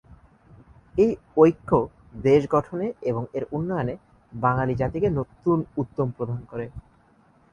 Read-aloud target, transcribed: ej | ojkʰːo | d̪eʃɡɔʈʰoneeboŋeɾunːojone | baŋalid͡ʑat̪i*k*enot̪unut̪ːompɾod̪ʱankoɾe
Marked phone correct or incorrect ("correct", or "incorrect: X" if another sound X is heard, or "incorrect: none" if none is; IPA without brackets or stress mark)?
correct